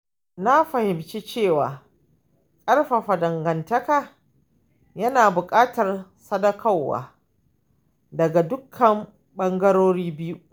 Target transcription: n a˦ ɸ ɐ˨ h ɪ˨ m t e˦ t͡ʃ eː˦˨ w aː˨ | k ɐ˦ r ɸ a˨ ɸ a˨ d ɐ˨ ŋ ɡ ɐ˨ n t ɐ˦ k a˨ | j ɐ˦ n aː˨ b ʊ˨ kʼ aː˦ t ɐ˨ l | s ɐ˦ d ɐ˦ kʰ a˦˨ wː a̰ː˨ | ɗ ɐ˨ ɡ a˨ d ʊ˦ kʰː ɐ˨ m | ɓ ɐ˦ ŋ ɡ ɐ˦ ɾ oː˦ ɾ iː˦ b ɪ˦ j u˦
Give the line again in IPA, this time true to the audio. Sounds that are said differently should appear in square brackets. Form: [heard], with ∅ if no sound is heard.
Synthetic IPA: n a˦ ɸ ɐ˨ h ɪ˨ m [t͡ʃ] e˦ t͡ʃ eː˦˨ w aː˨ | [kʼ] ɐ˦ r ɸ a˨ ɸ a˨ d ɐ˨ ŋ ɡ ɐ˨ n t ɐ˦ k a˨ | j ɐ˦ n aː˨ b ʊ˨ kʼ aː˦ t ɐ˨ [r] | s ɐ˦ d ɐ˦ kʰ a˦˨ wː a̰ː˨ | [d] ɐ˨ ɡ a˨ d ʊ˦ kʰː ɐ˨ m | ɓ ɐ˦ ŋ ɡ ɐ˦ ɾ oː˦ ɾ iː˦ b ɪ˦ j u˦